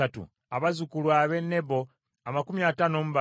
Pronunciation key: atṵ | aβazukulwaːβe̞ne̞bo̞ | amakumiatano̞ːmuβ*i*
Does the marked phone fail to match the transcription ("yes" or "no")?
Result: yes